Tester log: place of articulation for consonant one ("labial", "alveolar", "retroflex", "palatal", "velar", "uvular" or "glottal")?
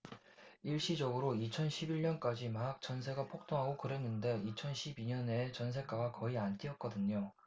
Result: retroflex